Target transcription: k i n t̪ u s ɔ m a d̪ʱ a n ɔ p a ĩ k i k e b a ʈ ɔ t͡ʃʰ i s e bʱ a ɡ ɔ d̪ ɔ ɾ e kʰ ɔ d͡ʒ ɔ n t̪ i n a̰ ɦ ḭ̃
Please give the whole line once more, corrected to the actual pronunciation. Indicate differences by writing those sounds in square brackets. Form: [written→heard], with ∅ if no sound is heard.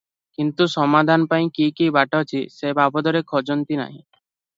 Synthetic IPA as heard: k i n t̪ u s ɔ m a d̪ʱ a n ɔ p a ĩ k i k [e→i] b a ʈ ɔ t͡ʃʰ i s e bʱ a [ɡ→b] ɔ d̪ ɔ ɾ e kʰ ɔ d͡ʒ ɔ n t̪ i n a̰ ɦ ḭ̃

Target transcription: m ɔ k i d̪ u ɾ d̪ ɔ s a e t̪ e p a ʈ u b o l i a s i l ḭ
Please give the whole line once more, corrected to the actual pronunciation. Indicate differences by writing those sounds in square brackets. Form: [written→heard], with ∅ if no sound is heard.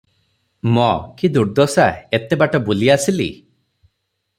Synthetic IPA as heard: m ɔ k i d̪ u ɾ d̪ ɔ s a e t̪ e [p→b] a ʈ [u→ɔ] b [o→u] l i a s i l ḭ

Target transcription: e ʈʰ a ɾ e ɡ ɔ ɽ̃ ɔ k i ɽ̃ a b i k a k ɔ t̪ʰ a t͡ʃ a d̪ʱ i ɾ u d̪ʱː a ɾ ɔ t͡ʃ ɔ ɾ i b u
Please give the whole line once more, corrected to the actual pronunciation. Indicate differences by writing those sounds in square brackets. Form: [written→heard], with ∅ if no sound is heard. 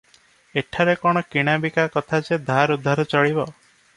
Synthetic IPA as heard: e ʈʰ a ɾ e [ɡ→k] ɔ ɽ̃ ɔ k i ɽ̃ a b i k a k ɔ t̪ʰ a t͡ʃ [a→e] d̪ʱ [i→a] ɾ u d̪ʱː a ɾ ɔ t͡ʃ ɔ [ɾ→ɭ] i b [u→ɔ]

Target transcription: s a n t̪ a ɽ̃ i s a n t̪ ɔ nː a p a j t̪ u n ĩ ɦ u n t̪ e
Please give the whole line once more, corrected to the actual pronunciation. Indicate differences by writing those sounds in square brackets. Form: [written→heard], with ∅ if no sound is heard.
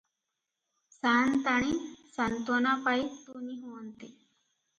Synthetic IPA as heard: s a n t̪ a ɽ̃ i s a n t̪ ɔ [nː→n] a p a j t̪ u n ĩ ɦ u n t̪ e

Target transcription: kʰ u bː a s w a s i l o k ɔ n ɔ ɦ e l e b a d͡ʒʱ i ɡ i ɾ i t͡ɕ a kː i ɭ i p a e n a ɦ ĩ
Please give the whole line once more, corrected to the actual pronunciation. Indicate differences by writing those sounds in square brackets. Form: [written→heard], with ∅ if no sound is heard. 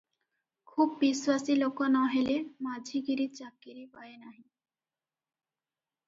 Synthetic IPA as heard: kʰ u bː [a→i] s w a s i l o k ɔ n ɔ ɦ e l e [b→m] a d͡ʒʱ i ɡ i ɾ i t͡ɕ a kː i [ɭ→ɾ] i p a e n a ɦ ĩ

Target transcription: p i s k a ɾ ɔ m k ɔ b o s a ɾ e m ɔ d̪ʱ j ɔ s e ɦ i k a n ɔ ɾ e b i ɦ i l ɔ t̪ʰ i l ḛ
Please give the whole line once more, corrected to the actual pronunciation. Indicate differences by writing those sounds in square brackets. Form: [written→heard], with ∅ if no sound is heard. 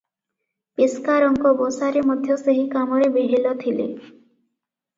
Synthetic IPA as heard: p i s k a ɾ ɔ [m→ŋ] k ɔ b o s a ɾ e m ɔ d̪ʱ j ɔ s e ɦ i k a [n→m] ɔ ɾ e b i ɦ i l ɔ t̪ʰ i l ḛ

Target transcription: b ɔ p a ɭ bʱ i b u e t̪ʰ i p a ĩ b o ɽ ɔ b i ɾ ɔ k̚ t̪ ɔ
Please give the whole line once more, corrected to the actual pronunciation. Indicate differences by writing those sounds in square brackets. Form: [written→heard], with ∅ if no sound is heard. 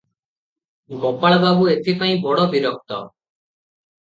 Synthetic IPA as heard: [b→ɡ] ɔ p a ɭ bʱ [i→a] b u e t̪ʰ i p a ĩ b [o→ɔ] ɽ ɔ b i ɾ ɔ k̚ t̪ ɔ

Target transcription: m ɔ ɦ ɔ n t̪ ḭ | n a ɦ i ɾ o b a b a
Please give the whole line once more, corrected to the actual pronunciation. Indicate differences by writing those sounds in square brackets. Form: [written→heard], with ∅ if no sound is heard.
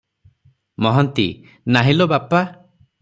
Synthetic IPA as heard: m ɔ ɦ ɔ n t̪ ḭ | n a ɦ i [ɾ→l] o b a [b→p] a

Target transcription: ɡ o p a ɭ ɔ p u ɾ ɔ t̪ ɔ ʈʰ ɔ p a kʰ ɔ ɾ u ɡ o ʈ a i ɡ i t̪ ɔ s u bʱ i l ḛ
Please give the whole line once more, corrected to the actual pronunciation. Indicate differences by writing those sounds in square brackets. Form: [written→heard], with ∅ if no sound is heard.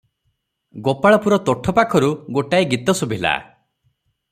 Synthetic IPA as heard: ɡ o p a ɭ ɔ p u ɾ ɔ t̪ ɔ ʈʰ ɔ p a kʰ ɔ ɾ u ɡ o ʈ a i ɡ i t̪ ɔ s u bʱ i l [ḛ→a̰]

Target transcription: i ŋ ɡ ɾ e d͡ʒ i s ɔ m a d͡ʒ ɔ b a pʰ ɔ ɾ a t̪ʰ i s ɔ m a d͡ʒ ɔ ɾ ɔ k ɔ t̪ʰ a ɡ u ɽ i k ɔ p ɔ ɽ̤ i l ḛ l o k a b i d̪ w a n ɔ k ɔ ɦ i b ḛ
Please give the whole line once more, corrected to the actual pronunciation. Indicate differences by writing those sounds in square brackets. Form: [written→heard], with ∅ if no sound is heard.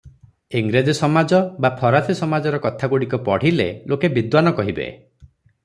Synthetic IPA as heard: i ŋ ɡ ɾ e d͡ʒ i s ɔ m a d͡ʒ ɔ b a pʰ ɔ ɾ a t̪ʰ i s ɔ m a d͡ʒ ɔ ɾ ɔ k ɔ t̪ʰ a ɡ u ɽ i k ɔ p ɔ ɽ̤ i l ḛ l o k [a→e] b i d̪ w a n ɔ k ɔ ɦ i b ḛ

